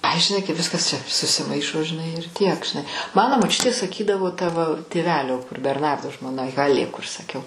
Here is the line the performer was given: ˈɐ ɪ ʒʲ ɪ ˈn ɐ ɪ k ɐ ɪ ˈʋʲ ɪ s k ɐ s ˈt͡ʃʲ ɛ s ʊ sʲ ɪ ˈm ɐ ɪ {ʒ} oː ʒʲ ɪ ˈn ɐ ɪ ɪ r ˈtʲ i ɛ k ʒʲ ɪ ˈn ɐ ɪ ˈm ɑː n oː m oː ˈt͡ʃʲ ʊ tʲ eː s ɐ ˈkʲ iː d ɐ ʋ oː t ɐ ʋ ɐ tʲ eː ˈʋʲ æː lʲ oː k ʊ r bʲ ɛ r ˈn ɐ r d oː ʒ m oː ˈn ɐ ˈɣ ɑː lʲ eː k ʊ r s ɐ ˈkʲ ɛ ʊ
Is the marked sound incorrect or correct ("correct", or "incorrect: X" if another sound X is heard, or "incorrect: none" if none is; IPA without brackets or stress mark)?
incorrect: ʃ